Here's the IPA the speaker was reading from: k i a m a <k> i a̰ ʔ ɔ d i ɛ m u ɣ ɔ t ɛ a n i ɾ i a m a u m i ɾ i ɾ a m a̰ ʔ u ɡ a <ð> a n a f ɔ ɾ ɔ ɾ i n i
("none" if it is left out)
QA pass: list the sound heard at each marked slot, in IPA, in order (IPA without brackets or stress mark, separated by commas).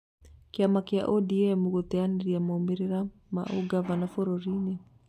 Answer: k, v